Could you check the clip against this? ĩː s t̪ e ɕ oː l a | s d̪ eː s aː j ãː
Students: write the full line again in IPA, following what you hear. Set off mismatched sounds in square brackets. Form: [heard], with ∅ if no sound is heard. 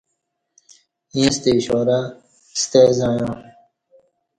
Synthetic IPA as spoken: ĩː s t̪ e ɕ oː [ɾ] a | s [t̪] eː [z] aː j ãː

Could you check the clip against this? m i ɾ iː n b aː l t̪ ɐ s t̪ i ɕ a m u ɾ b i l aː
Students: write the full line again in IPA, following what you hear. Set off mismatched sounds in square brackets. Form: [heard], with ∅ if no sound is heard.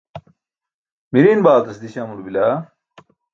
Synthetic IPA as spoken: m i ɾ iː n b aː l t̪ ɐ s [d̪] i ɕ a m u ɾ b i l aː

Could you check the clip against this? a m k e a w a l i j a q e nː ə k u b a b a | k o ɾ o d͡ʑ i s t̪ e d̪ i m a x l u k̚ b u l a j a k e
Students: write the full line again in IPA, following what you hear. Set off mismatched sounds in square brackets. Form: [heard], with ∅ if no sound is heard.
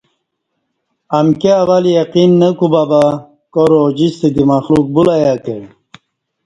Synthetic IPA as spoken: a m k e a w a l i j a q [i] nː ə k u b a b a | k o ɾ o d͡ʑ i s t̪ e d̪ i m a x l u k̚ b u l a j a k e

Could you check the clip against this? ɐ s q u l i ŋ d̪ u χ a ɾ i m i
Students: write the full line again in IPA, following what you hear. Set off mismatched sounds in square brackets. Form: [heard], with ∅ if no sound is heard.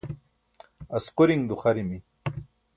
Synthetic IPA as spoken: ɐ s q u [ɾ] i ŋ d̪ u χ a ɾ i m i

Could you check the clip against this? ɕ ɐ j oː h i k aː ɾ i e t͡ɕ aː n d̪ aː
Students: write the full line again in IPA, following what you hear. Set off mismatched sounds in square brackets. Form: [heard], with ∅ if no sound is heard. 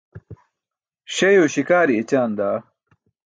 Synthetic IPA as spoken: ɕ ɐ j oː [ɕ] i k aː ɾ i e t͡ɕ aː n d̪ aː

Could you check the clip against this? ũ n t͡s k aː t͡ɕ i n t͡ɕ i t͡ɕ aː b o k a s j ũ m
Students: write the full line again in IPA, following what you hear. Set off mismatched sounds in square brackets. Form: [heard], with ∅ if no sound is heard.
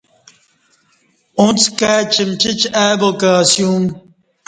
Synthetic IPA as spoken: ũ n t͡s k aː t͡ɕ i [m] t͡ɕ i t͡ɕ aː b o k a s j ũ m

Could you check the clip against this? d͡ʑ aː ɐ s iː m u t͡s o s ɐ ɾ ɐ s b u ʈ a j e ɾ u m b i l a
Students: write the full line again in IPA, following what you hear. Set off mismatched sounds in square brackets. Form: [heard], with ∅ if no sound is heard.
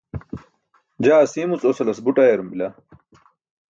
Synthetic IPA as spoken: d͡ʑ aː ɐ s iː m u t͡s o s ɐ [l] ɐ s b u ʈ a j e ɾ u m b i l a

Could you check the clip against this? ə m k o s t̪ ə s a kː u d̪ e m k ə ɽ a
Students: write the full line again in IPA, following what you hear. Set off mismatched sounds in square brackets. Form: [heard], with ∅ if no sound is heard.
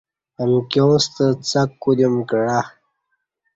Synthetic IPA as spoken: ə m k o s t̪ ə [t͡s] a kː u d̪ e m k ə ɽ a

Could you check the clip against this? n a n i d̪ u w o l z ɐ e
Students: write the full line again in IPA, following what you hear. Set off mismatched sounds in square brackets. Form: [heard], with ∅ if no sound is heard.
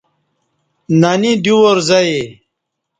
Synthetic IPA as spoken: n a n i d̪ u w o [ɾ] z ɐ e

